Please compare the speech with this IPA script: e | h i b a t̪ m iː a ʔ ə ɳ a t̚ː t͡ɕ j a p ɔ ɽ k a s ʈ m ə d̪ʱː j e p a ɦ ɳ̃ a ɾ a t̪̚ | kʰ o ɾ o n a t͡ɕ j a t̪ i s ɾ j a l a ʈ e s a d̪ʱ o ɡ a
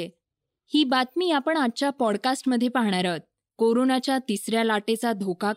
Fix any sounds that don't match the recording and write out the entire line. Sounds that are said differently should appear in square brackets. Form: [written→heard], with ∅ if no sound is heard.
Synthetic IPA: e | h [i→iː] b a t̪ m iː a [ʔ→p] ə ɳ a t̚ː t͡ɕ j a p ɔ ɽ k a s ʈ m ə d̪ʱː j e p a ɦ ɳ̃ a ɾ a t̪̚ | [kʰ→k] o ɾ o n a t͡ɕ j a t̪ i s ɾ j a l a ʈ e [s→t͡s] a d̪ʱ o [ɡ→k] a